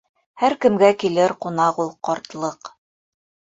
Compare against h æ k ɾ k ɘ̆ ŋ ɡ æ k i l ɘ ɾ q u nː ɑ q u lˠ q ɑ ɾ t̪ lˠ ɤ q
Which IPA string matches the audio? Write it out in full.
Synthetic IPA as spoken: h æ ɾ k ɘ̆ m ɡ æ k i l ɘ ɾ q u n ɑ q u lˠ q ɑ ɾ t̪ lˠ ɤ q